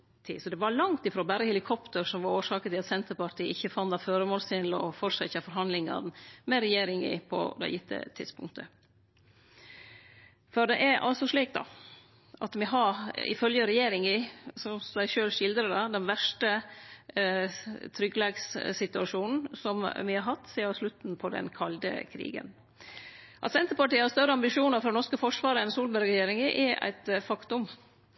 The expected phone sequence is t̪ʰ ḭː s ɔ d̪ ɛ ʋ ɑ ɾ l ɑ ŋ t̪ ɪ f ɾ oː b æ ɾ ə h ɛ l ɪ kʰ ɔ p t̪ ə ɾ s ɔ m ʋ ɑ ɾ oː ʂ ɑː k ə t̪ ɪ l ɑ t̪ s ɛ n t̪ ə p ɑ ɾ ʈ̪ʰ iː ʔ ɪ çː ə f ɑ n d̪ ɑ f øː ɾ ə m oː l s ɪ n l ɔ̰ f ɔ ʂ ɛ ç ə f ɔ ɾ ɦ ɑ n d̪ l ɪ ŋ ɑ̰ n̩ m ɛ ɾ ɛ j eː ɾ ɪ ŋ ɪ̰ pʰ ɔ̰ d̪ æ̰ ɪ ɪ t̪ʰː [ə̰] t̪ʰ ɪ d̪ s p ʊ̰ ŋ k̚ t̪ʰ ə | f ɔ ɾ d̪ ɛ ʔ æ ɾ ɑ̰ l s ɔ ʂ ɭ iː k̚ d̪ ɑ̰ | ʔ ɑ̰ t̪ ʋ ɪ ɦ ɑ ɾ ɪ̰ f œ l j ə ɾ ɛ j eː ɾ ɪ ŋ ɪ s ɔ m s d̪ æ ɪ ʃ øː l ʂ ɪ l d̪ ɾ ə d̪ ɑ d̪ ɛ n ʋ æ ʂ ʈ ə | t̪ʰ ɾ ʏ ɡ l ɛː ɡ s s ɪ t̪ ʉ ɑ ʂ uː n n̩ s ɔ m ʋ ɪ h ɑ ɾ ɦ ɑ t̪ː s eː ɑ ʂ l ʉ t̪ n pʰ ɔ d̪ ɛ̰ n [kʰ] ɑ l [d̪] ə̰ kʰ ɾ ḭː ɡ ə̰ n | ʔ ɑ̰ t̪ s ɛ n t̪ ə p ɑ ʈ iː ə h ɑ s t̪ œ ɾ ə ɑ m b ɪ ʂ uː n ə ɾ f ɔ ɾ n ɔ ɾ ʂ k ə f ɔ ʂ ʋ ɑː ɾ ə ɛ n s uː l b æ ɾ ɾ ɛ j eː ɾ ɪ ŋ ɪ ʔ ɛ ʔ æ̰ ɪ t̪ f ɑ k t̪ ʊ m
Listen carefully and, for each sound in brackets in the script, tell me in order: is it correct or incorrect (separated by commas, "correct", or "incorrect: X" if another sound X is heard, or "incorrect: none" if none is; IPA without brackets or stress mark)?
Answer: correct, correct, correct